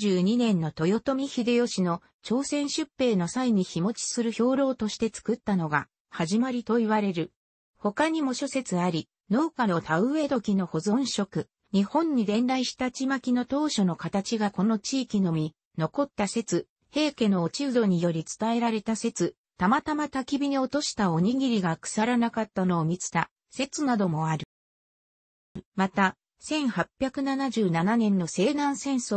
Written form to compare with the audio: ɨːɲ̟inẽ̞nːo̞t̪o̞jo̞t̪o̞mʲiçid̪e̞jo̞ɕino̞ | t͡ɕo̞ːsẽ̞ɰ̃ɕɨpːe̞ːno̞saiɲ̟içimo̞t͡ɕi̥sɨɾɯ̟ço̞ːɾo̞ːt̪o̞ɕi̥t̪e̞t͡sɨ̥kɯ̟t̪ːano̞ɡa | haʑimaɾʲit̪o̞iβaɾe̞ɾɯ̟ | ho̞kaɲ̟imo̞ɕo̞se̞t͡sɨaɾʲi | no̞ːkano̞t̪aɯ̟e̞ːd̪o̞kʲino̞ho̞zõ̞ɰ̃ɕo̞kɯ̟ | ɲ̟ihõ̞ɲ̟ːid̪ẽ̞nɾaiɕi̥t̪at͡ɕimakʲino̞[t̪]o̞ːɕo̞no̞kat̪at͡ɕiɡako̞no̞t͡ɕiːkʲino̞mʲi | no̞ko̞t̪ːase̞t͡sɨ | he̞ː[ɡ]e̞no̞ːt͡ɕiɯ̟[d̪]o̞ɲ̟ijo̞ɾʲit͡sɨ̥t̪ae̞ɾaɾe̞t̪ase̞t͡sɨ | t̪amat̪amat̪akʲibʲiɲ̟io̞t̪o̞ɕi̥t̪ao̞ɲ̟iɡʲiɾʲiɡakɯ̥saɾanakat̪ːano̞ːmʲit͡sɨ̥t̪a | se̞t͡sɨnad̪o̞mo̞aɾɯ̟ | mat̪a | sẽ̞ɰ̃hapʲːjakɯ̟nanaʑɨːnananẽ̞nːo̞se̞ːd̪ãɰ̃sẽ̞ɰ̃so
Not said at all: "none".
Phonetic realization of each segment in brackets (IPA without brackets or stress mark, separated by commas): t̪, k, d̪